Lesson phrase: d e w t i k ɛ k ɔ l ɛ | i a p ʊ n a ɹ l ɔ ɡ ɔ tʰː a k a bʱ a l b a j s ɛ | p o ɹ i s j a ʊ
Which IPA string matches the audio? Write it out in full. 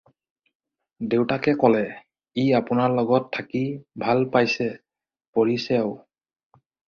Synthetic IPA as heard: d e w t a k ɛ k ɔ l ɛ | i a p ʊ n a ɹ l ɔ ɡ ɔ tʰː a k i bʱ a l p a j s ɛ | p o ɹ i s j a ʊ